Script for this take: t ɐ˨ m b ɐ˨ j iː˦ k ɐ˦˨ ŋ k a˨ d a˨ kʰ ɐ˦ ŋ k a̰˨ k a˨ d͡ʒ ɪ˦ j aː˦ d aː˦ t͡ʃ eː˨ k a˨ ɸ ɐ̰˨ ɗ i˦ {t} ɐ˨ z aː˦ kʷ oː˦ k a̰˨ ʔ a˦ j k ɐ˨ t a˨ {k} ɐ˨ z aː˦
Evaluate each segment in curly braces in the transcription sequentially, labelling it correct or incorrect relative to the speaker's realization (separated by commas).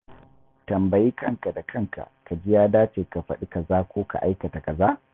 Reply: incorrect, correct